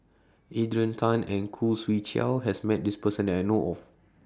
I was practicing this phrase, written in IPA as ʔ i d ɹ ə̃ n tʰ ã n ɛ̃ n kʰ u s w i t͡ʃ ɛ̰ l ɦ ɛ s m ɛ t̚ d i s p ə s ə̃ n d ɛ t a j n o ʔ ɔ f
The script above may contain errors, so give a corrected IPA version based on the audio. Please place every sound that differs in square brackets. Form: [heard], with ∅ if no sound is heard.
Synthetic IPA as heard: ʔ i d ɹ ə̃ n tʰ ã n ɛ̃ n kʰ u s w i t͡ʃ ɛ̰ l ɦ ɛ s m ɛ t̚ d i s p ə s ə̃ n d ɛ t a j n o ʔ ɔ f